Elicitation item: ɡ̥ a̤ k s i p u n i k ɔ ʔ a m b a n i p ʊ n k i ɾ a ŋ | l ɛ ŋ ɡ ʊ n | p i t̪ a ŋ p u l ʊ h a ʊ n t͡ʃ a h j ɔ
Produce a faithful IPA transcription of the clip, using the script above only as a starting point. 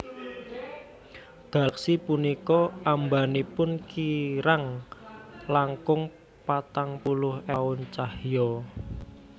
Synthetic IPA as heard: ɡ̥ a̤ k s i p u n i k ɔ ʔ a m b a n i p ʊ n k i ɾ a ŋ | l a ŋ k ʊ ŋ | p a t̪ a ŋ p u l ʊ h a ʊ n t͡ʃ a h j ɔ